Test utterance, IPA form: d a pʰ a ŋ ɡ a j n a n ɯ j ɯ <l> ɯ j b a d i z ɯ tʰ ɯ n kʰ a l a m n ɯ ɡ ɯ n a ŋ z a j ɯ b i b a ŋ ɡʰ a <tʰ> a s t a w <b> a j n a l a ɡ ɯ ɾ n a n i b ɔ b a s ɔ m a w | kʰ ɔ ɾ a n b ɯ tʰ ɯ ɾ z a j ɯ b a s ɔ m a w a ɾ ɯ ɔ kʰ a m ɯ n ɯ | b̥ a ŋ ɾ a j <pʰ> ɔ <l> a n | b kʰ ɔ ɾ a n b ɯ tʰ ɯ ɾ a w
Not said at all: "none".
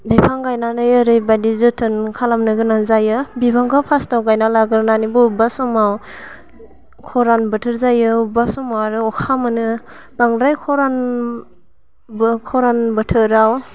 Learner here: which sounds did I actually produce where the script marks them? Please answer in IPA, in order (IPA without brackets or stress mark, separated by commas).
ɾ, pʰ, ɡ, kʰ, ɾ